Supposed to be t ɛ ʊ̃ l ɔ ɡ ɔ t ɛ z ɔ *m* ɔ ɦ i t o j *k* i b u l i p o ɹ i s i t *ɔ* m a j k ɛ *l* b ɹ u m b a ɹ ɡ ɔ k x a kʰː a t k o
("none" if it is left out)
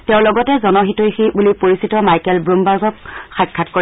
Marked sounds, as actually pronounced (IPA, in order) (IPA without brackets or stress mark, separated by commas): n, x, ɔ, l